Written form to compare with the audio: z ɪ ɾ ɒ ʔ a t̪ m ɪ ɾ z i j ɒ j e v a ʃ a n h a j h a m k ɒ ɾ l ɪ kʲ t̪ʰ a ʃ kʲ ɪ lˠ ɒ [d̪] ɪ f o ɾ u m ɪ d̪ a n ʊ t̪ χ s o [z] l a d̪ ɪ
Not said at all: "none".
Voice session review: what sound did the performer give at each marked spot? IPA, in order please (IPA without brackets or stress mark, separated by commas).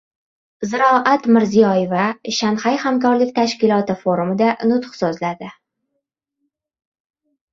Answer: t̪, z